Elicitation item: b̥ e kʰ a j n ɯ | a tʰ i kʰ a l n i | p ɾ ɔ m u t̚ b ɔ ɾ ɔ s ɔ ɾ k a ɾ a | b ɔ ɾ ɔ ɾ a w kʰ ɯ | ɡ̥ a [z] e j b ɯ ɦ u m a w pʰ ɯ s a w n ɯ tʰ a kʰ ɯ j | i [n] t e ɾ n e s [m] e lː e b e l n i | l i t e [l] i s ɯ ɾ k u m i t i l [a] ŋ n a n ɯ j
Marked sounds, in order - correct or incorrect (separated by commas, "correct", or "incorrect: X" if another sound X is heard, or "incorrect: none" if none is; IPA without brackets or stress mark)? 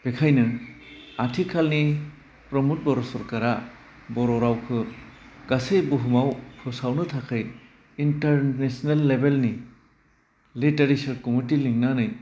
incorrect: s, correct, incorrect: n, incorrect: ɾ, incorrect: i